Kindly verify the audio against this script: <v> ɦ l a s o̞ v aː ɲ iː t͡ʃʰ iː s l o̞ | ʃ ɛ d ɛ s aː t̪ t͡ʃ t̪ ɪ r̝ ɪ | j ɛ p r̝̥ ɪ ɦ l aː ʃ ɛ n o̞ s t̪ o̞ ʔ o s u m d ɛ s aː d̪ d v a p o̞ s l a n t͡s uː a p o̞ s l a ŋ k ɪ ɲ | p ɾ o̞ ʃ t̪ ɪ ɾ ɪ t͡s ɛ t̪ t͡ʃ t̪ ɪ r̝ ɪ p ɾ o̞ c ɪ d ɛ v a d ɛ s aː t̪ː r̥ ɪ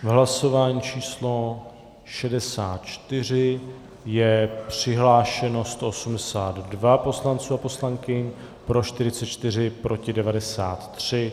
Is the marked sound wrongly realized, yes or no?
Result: no